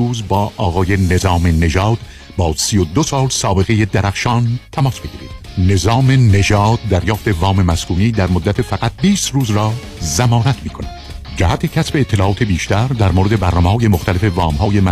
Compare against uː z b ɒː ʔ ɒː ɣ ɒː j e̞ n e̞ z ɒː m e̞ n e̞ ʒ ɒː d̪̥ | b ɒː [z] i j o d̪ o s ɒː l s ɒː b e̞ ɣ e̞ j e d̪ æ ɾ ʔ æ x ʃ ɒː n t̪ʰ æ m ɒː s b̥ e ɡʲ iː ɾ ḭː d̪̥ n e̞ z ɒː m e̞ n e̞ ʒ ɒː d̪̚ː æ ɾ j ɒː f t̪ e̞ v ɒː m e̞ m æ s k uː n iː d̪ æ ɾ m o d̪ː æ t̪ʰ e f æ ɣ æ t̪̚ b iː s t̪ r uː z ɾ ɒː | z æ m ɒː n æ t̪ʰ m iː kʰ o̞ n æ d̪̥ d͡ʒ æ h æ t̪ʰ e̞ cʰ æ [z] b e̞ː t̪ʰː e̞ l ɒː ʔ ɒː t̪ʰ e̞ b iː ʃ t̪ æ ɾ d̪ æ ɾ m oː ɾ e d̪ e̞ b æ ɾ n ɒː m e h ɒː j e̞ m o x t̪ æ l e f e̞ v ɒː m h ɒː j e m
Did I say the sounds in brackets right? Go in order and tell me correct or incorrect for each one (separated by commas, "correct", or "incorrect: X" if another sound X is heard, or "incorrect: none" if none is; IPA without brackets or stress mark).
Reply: incorrect: s, incorrect: s